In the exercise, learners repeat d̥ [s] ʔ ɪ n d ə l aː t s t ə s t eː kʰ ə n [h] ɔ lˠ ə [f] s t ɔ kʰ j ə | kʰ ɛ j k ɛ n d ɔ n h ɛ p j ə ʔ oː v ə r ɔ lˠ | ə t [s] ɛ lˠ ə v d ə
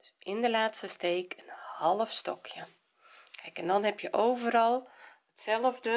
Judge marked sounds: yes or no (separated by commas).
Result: yes, yes, yes, yes